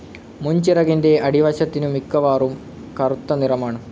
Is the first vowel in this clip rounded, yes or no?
yes